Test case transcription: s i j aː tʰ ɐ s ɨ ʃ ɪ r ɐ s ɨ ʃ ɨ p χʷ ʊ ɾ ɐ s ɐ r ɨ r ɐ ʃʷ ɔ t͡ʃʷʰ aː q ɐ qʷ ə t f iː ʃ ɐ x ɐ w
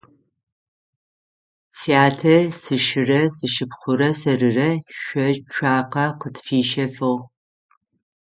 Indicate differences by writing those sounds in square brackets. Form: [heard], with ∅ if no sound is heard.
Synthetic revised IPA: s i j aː tʰ ɐ s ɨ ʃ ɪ r ɐ s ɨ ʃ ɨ p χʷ ʊ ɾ ɐ s ɐ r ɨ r ɐ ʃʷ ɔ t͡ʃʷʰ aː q ɐ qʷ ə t f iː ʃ ɐ [f] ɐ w